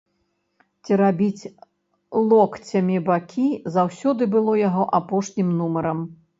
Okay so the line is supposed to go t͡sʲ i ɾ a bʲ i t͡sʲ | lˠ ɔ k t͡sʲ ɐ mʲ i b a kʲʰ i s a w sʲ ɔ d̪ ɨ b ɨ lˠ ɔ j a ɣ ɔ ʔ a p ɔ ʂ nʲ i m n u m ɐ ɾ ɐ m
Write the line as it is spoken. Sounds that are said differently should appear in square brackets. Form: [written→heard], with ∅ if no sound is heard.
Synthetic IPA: t͡sʲ i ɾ a bʲ i t͡sʲ | lˠ ɔ k t͡sʲ ɐ mʲ i b a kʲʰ i [s→z] a w sʲ ɔ d̪ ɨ b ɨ lˠ ɔ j a ɣ ɔ ʔ a p ɔ ʂ nʲ i m n u m ɐ ɾ ɐ m